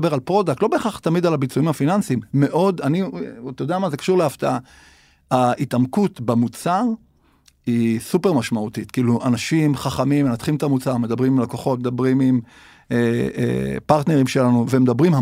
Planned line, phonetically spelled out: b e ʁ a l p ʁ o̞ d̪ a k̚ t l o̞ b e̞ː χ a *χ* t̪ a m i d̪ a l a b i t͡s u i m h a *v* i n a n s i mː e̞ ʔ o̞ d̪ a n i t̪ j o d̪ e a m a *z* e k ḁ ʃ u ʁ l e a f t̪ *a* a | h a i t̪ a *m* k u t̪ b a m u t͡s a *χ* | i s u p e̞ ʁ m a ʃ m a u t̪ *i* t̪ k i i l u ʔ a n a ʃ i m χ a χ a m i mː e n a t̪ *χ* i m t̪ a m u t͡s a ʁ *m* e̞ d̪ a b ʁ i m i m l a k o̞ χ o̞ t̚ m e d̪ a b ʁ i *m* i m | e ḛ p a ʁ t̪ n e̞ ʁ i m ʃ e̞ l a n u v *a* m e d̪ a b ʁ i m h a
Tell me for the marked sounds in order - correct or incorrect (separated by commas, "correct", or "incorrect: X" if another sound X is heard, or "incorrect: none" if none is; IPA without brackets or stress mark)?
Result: correct, incorrect: f, correct, correct, correct, incorrect: ʁ, correct, correct, correct, correct, incorrect: e